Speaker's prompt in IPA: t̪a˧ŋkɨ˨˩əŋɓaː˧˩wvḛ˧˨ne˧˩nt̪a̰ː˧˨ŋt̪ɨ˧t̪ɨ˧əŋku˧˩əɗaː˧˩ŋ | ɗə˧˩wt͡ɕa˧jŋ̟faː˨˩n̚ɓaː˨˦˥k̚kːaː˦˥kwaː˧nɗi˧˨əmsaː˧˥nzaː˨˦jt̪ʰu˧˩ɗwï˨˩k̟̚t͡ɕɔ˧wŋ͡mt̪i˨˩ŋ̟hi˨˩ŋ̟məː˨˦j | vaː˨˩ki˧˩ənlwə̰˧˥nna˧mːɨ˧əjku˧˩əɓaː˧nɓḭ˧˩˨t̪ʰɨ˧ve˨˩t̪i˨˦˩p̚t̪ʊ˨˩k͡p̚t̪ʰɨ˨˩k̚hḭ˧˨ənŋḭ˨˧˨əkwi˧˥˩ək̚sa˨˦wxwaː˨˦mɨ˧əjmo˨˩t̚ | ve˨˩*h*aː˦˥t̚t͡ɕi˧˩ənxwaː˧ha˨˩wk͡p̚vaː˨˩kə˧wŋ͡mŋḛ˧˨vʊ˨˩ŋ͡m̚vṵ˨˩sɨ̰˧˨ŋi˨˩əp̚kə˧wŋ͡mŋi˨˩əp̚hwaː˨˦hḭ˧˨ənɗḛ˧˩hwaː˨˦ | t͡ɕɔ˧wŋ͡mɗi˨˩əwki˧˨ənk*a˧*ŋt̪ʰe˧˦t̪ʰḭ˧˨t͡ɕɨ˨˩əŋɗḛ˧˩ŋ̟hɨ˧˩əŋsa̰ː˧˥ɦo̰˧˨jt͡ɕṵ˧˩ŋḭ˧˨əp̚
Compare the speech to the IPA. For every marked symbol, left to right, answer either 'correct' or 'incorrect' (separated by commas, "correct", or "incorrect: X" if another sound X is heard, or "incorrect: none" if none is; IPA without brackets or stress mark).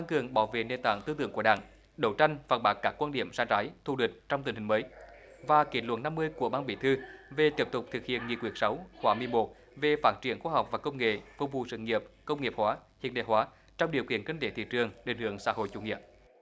incorrect: f, incorrect: i˧